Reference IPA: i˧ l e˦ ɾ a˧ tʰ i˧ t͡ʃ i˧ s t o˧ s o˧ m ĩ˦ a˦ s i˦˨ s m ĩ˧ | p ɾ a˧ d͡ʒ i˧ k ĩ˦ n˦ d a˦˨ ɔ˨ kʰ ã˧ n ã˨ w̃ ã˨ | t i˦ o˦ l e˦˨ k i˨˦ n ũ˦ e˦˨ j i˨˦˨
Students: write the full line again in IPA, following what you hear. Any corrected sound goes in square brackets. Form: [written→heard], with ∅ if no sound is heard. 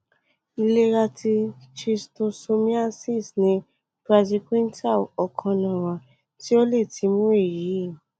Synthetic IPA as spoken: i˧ l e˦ ɾ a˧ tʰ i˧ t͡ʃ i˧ s t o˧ s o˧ m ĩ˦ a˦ s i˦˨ s [m→n] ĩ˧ | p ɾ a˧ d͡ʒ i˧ k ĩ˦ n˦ [d→t] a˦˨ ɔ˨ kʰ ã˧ n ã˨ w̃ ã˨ | t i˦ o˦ l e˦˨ [k→t] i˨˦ [n→m] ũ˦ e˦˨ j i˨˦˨